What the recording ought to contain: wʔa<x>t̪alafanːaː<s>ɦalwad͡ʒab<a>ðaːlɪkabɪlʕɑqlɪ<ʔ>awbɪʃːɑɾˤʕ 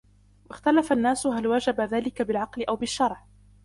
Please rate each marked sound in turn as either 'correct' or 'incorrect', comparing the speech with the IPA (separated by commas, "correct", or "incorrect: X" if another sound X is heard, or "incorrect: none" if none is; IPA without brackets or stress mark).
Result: correct, correct, correct, correct